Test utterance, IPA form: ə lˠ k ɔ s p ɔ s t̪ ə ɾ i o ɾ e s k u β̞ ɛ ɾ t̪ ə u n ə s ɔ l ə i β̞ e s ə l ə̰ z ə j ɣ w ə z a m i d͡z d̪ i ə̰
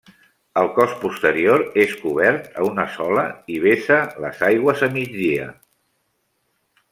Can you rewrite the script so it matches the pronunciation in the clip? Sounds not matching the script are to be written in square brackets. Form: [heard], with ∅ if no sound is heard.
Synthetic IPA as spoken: ə lˠ k ɔ s p [u] s t̪ ə ɾ i o ɾ e s k u β̞ ɛ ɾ t̪ ə u n ə s ɔ l ə i β̞ e s ə l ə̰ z [a] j ɣ w ə z [ə] m i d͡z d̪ i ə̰